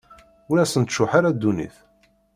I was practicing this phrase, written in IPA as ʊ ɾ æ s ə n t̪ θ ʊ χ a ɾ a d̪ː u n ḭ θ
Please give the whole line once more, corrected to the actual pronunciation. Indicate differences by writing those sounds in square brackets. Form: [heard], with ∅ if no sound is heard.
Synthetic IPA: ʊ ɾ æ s ə n t̪ [ʃ] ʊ [ħ] a ɾ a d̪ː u n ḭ θ